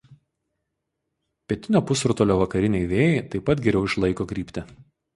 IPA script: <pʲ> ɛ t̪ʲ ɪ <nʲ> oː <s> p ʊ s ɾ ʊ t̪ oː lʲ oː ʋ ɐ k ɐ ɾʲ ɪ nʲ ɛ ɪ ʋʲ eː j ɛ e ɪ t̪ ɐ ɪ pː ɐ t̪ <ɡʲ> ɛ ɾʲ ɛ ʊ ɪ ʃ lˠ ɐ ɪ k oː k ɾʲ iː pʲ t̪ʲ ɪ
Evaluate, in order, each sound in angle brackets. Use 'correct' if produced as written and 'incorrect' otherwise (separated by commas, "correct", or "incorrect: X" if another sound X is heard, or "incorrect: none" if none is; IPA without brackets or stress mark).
correct, correct, incorrect: none, correct